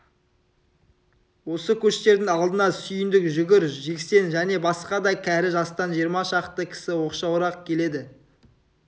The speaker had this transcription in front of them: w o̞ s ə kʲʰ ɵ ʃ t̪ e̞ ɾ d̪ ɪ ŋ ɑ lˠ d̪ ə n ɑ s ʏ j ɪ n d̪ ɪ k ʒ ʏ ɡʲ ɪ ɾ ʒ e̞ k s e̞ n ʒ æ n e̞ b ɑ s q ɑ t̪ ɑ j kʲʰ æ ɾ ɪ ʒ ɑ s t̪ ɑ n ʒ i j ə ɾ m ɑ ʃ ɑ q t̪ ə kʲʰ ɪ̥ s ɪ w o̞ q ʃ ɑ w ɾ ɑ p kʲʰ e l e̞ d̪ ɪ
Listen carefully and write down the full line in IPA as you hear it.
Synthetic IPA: w o̞ s ə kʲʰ ɵ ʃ t̪ e̞ ɾ d̪ ɪ ŋ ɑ lˠ d̪ ə n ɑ s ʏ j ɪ n d̪ ɪ k ʒ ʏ ɡʲ ɪ ɾ ʒ e̞ k s e̞ n ʒ æ n e̞ b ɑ s q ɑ d̪ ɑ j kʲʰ æ ɾ ɪ ʒ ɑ s t̪ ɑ n ʒ i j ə ɾ m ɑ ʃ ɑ q t̪ ə kʲʰ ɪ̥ s ɪ w o̞ q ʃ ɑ w ɾ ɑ q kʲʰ e l e̞ d̪ ɪ